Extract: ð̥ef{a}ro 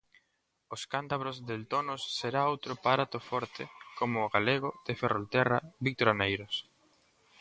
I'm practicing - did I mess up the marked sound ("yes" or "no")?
yes